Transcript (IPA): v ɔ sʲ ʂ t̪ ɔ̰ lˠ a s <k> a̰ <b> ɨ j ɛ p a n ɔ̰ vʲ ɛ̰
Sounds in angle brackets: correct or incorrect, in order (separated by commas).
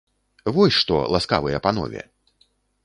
correct, incorrect